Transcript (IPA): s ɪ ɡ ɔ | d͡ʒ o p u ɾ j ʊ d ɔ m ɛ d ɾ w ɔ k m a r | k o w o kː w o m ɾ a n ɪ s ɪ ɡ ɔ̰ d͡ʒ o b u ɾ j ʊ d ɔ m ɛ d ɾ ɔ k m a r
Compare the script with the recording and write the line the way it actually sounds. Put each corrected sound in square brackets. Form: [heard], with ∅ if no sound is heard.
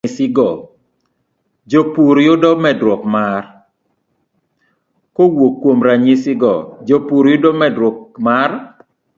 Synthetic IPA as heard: s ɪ ɡ ɔ | d͡ʒ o p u ɾ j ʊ d ɔ m ɛ d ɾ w ɔ k m a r | k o w o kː w o m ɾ a [ɲ] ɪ s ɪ ɡ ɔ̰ d͡ʒ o [p] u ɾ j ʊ d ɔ m ɛ d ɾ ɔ k m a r